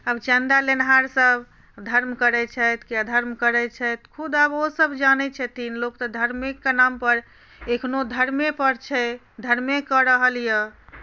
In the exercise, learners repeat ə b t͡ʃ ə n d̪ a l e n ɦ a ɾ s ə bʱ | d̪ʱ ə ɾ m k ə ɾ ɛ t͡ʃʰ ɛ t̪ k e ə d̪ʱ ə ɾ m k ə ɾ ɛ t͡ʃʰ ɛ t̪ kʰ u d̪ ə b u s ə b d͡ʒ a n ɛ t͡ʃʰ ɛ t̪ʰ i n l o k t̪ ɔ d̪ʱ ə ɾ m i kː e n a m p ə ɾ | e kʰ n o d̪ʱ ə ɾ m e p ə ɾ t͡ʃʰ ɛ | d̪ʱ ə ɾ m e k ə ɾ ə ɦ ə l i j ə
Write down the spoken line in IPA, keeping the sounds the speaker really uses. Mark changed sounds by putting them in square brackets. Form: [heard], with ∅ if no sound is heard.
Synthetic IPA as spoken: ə b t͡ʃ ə n d̪ a l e n ɦ a ɾ s ə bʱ | d̪ʱ ə ɾ m k ə ɾ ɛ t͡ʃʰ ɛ t̪ k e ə d̪ʱ ə ɾ m k ə ɾ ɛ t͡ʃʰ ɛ t̪ kʰ u d̪ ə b [o] s ə b d͡ʒ a n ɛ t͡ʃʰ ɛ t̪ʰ i n l o k t̪ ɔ d̪ʱ ə ɾ m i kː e n a m p ə ɾ | e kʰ n o d̪ʱ ə ɾ m e p ə ɾ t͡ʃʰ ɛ | d̪ʱ ə ɾ m e k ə ɾ ə ɦ ə l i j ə